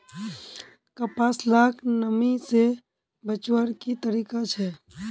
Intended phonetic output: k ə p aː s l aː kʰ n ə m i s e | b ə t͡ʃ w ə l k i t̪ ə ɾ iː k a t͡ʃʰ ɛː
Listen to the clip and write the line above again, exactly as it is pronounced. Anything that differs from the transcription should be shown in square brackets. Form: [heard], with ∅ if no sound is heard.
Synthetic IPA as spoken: k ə p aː s l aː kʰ n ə m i s e | b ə t͡ʃ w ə [ɾ] k i t̪ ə ɾ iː k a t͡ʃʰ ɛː